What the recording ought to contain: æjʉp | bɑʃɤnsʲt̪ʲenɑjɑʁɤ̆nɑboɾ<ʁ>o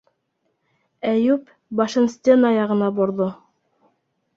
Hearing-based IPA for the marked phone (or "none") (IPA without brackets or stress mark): ð